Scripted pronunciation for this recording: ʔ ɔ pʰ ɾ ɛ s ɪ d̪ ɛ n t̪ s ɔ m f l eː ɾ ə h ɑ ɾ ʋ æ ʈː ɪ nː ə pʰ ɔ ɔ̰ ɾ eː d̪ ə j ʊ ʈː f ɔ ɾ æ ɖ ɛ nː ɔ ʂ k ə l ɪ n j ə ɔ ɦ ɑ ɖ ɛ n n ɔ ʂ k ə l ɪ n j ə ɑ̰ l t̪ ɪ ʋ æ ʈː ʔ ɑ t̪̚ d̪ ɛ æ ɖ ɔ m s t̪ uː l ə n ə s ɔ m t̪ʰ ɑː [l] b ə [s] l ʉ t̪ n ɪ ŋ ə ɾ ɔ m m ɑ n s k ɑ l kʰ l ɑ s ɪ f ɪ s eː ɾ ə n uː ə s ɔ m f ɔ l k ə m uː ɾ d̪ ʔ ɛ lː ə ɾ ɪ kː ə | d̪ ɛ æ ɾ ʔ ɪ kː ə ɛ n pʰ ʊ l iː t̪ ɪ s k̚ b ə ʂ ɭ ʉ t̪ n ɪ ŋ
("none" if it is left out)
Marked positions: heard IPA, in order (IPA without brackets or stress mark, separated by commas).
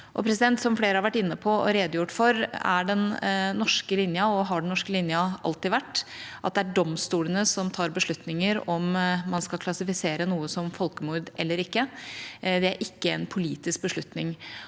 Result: ɾ, ʂ